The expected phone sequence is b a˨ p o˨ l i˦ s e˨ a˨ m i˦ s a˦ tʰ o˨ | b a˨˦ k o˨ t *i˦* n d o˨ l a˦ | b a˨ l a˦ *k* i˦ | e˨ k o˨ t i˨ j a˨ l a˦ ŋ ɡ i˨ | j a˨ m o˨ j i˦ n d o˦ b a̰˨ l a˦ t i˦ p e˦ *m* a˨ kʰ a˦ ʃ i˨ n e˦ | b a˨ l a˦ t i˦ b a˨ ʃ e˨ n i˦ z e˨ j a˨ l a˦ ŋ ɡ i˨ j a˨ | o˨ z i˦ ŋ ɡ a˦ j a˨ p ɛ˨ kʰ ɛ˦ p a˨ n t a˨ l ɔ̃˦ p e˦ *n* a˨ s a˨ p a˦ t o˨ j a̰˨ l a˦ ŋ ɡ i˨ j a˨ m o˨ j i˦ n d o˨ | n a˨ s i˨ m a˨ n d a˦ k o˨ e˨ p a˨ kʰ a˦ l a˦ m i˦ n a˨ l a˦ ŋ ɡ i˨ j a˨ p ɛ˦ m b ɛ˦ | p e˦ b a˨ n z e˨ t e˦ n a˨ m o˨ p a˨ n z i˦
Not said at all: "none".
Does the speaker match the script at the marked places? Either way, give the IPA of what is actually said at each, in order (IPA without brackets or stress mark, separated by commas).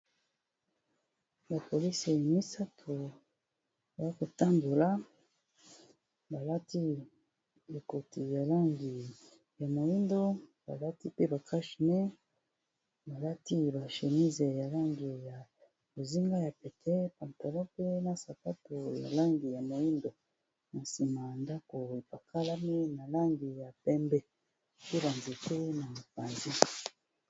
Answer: a˦, t, b, n